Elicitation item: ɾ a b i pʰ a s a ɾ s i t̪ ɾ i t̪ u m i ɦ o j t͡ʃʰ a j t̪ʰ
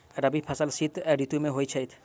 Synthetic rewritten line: ɾ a b i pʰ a s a l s i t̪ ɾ i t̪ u m e ɦ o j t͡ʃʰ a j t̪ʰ